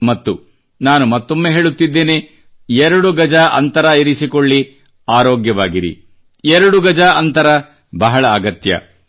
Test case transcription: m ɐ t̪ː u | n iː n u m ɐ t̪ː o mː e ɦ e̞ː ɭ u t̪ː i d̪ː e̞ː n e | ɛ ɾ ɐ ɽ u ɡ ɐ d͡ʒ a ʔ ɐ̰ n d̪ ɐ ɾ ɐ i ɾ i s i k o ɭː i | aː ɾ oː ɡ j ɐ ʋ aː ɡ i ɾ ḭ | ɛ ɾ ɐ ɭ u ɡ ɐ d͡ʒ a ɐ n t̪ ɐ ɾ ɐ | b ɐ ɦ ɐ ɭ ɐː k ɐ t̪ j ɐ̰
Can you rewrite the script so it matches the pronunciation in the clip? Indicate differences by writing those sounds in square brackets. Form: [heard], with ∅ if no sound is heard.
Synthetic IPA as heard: m ɐ t̪ː u | n [aː] n u m ɐ t̪ː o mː e ɦ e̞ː ɭ u t̪ː i d̪ː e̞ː n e | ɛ ɾ ɐ ɽ u ɡ ɐ d͡ʒ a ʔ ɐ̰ n [t̪] ɐ ɾ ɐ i ɾ i s i k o ɭː i | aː ɾ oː ɡ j ɐ ʋ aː ɡ i ɾ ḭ | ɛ ɾ ɐ [ɽ] u ɡ ɐ d͡ʒ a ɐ n t̪ ɐ ɾ ɐ | b ɐ ɦ ɐ ɭ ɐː [ɡ] ɐ t̪ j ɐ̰